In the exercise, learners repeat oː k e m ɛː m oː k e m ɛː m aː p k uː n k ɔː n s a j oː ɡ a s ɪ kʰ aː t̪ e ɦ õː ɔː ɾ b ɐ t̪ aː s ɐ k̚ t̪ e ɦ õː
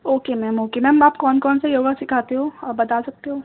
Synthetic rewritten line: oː k e m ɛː m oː k e m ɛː m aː p k ɔː n k ɔː n s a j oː ɡ a s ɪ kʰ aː t̪ e ɦ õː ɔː ɾ b ɐ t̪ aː s ɐ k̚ t̪ e ɦ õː